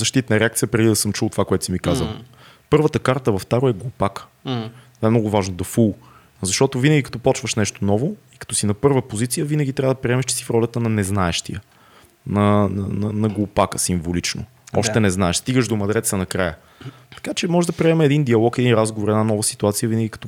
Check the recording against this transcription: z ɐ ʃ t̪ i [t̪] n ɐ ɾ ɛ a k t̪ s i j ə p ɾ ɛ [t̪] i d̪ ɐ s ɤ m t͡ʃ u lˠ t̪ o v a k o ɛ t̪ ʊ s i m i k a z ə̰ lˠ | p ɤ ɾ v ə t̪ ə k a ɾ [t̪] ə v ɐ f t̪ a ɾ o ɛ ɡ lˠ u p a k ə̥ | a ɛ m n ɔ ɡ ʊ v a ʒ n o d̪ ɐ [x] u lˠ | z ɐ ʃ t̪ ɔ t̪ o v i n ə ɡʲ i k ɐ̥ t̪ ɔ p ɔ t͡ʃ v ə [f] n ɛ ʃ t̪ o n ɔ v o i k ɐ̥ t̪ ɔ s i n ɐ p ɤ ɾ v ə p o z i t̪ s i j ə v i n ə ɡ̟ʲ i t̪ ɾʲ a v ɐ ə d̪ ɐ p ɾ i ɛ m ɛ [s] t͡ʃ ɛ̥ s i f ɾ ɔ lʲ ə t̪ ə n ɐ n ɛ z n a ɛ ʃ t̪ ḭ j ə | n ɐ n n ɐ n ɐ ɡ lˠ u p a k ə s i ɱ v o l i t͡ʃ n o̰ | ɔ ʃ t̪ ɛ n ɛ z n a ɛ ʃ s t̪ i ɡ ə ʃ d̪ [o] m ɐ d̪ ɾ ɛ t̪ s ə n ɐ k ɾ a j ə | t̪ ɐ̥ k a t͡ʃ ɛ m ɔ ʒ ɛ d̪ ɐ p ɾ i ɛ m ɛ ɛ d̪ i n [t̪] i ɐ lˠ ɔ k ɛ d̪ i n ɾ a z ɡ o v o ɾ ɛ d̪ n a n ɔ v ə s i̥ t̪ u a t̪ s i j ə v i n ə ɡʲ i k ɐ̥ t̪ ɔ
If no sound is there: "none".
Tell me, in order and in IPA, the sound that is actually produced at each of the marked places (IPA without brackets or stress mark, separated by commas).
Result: t̪, d̪, t̪, f, ʃ, ʃ, o, d̪